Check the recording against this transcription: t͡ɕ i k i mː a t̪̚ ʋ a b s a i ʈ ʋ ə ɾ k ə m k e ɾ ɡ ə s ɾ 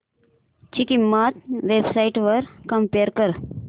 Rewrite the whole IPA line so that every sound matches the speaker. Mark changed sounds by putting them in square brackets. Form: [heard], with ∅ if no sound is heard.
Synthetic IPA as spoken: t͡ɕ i k i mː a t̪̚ ʋ [e] b s a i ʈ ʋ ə ɾ k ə m [p] e ɾ [k] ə [∅] ɾ